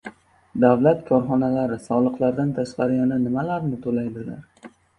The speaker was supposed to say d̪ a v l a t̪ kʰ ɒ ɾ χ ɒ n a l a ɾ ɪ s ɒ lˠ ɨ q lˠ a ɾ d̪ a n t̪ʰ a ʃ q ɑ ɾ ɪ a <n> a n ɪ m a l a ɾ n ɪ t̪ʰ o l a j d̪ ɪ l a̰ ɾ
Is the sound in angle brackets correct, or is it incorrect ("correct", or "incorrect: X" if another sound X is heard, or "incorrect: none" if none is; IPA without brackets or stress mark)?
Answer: correct